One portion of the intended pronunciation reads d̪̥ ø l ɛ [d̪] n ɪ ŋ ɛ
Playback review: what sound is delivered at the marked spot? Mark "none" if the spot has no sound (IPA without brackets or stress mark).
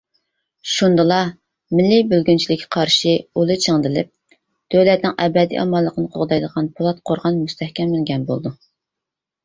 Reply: t̪